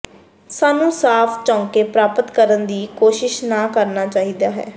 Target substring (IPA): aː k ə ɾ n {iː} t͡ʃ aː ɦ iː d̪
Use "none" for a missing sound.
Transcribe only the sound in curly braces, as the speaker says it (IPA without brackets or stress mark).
aː